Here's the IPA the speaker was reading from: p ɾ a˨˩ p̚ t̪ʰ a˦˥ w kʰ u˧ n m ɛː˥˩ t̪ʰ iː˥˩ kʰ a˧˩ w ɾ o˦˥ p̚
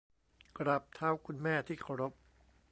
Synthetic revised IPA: k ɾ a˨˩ p̚ t̪ʰ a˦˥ w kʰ u˧ n m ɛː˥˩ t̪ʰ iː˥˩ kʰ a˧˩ w ɾ o˦˥ p̚